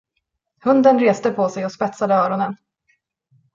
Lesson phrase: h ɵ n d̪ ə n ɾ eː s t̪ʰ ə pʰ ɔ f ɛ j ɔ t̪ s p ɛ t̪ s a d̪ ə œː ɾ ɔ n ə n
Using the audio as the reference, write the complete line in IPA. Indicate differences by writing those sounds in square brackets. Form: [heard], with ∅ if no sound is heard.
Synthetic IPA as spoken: h ɵ n d̪ ə n ɾ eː s [t̪] ə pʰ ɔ [s] ɛ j ɔ [∅] s p ɛ t̪ s a d̪ ə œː ɾ ɔ n ə n